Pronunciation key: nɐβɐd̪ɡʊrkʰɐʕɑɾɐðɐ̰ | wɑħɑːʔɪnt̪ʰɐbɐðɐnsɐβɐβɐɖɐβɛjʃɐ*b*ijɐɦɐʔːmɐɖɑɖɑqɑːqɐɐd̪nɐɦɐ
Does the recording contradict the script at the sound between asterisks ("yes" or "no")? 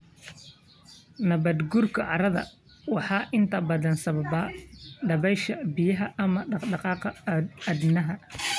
no